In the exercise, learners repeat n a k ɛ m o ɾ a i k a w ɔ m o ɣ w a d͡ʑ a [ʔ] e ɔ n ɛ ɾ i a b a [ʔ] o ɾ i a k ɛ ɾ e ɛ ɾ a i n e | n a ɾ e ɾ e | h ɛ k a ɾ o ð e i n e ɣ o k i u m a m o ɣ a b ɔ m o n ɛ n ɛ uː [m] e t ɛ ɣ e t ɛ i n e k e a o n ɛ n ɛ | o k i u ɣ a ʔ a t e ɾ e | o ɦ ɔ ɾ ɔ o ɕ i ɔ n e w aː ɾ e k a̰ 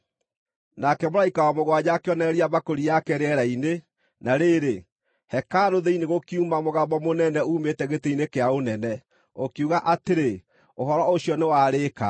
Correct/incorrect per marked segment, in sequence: incorrect: k, incorrect: k, correct

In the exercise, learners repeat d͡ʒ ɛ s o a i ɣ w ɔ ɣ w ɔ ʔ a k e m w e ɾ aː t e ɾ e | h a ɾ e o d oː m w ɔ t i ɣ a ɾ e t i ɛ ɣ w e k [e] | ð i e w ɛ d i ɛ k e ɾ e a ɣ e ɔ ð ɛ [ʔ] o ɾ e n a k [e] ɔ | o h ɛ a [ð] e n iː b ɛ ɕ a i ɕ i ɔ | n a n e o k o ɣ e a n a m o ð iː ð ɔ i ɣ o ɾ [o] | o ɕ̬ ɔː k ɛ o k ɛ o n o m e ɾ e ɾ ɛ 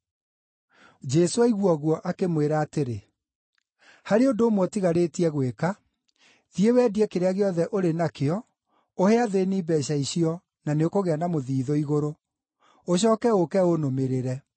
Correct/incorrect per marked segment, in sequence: incorrect: a, correct, correct, correct, correct

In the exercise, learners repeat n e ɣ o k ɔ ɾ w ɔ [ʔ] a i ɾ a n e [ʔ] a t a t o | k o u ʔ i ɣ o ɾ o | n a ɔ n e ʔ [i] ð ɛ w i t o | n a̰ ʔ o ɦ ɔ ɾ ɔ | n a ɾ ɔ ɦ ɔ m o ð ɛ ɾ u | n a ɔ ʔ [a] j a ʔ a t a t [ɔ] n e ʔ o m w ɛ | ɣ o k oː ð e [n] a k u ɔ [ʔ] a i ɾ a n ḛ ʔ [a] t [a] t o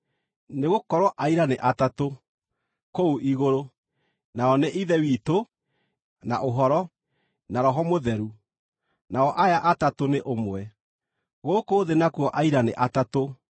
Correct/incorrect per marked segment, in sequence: correct, correct, correct, correct, incorrect: o, correct, correct, correct, correct

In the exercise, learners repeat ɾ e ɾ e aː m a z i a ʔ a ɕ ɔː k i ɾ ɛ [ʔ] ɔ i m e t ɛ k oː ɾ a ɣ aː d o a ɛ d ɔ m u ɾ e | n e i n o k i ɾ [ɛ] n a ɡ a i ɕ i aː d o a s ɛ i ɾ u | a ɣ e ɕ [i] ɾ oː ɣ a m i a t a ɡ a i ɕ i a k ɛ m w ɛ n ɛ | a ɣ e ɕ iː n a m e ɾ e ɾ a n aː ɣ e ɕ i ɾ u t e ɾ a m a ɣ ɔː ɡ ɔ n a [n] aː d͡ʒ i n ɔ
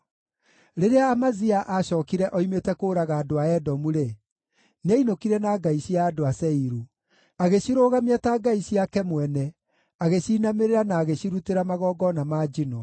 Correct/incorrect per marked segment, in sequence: correct, correct, correct, incorrect: m

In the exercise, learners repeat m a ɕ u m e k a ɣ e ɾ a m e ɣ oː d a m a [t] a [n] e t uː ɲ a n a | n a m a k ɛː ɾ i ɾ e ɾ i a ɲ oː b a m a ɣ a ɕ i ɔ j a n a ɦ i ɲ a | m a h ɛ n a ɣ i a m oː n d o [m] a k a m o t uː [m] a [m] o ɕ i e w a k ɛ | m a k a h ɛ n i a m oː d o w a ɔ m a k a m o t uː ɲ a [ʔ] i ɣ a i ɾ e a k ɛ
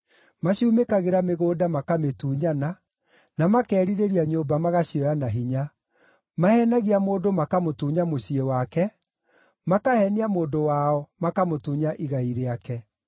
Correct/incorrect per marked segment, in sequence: incorrect: k, incorrect: m, correct, incorrect: ɲ, correct, correct

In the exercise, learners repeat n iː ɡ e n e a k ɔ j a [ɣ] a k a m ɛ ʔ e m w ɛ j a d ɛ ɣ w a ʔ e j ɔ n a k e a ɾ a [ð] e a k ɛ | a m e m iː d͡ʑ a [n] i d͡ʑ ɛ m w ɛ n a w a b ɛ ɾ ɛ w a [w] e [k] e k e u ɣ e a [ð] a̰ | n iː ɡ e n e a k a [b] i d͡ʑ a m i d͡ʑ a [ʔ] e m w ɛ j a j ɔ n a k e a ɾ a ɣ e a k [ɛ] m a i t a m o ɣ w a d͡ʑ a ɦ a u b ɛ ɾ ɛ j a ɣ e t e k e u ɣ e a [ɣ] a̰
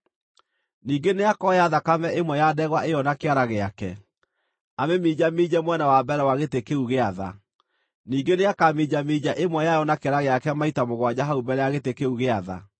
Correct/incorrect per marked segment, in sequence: incorrect: ð, incorrect: ɣ, incorrect: m, incorrect: ɣ, incorrect: t, correct, incorrect: m, correct, correct, incorrect: ð

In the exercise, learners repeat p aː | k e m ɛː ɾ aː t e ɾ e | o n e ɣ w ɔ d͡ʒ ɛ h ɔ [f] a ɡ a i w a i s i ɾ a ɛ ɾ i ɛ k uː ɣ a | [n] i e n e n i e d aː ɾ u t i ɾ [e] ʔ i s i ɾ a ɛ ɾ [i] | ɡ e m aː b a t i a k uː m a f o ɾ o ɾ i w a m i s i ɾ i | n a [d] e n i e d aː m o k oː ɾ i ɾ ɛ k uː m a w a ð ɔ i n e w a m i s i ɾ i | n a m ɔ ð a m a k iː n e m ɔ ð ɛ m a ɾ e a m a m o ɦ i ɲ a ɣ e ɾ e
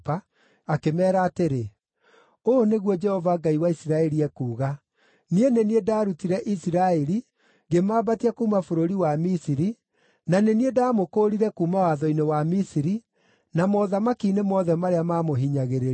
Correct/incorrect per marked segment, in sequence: incorrect: v, correct, incorrect: ɛ, correct, incorrect: n

